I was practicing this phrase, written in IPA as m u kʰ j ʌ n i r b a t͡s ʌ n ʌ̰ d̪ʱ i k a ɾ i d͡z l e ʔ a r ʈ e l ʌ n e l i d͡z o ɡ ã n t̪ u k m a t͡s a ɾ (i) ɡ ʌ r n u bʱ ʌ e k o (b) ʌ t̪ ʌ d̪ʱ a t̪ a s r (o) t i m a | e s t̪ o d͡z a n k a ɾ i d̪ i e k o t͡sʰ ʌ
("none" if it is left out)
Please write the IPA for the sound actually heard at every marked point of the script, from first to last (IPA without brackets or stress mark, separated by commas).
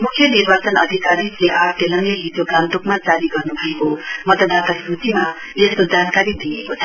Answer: i, m, u